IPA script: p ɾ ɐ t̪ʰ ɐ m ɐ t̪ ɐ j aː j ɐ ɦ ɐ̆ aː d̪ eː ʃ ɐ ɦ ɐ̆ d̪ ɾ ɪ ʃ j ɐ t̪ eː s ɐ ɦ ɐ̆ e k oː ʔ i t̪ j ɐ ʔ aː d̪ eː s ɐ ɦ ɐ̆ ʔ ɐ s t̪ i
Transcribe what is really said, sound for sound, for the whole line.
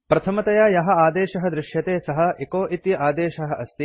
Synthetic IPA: p ɾ ɐ t̪ʰ ɐ m ɐ t̪ ɐ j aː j ɐ ɦ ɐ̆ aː d̪ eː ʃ ɐ ɦ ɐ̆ d̪ ɾ ɪ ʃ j ɐ t̪ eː s ɐ ɦ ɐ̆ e k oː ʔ i t̪ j ɐ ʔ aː d̪ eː ʃ ɐ ɦ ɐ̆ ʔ ɐ s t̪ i